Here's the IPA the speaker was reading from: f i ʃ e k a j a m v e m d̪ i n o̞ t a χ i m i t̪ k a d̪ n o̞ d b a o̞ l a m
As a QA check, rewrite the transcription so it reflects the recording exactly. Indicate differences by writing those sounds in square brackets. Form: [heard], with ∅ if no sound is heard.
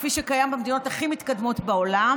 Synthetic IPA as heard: f i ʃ e k a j a m [b] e m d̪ i n o̞ t a χ i m i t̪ k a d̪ [m] o̞ [t] b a o̞ l a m